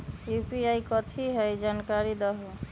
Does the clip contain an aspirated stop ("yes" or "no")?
yes